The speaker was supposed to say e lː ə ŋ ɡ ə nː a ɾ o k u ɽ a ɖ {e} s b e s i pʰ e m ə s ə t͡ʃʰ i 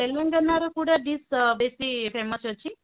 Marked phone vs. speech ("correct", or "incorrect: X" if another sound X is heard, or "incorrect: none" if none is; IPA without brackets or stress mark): incorrect: i